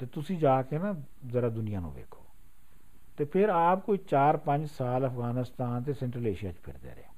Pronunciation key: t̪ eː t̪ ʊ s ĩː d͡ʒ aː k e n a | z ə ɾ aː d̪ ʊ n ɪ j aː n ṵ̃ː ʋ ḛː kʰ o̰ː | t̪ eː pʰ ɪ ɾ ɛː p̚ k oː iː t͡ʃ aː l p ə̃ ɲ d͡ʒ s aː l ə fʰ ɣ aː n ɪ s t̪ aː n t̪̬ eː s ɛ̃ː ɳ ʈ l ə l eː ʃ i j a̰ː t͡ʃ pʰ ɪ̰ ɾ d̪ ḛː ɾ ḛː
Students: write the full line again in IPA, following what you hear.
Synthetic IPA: t̪ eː t̪ ʊ s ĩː d͡ʒ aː k e n a | z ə ɾ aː d̪ ʊ n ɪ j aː n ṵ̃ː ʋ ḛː kʰ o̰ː | t̪ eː pʰ ɪ ɾ aː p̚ k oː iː t͡ʃ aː ɾ p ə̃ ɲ d͡ʒ s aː l ə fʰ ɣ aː n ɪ s t̪ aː n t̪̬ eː s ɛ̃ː ɳ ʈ ɾ ə l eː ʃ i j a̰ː t͡ʃ pʰ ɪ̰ ɾ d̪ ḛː ɾ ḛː